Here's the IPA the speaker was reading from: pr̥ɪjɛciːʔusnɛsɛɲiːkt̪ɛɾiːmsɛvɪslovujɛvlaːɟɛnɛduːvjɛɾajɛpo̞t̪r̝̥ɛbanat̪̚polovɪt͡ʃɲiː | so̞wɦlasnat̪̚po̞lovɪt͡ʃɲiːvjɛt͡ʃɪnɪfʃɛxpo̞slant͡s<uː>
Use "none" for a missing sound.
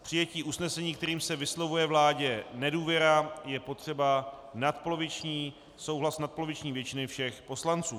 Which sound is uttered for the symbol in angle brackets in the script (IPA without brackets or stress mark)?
uː